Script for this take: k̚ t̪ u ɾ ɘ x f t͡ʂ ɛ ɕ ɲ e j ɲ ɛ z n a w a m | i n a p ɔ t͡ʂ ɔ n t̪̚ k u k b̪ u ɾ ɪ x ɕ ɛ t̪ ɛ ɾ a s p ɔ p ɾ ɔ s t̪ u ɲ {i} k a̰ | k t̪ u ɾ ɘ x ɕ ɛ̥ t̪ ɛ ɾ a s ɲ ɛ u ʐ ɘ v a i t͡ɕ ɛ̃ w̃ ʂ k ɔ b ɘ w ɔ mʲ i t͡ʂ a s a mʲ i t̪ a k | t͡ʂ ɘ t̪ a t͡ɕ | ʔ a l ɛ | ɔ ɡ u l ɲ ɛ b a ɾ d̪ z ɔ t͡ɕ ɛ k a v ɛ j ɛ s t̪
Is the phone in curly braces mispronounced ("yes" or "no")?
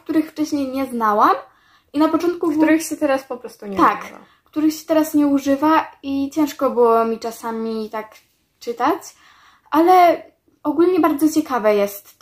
yes